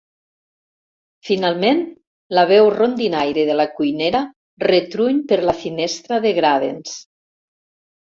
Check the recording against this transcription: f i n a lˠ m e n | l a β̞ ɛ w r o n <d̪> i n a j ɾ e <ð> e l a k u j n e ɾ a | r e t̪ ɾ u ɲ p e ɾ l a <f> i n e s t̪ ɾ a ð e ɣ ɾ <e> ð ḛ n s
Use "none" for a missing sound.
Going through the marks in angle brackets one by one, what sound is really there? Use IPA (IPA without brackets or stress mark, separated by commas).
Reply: d̪, ð, f, a